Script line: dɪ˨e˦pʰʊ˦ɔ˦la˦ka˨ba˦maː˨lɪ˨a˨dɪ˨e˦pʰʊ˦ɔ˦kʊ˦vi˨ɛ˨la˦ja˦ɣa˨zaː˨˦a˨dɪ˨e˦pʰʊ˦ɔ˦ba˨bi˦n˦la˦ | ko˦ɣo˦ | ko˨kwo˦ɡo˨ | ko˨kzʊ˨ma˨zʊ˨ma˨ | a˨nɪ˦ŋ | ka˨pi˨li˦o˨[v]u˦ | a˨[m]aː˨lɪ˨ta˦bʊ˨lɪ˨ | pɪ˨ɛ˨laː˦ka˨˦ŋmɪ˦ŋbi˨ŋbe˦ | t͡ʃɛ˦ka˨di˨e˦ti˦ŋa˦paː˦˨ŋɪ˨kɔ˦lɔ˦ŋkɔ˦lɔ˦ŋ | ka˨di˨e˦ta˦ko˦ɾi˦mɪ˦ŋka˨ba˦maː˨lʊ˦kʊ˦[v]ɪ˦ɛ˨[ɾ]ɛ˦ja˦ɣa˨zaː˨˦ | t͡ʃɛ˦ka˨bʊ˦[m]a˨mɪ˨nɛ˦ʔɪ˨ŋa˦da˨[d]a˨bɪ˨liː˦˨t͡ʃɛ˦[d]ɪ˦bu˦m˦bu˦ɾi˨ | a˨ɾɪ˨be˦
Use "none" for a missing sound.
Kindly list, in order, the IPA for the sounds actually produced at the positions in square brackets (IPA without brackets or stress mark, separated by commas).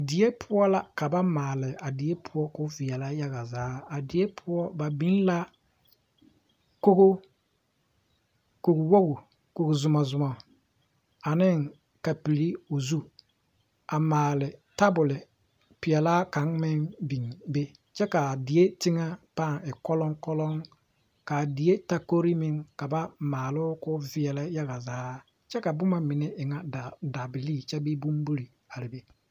z, m, v, l, m, d, b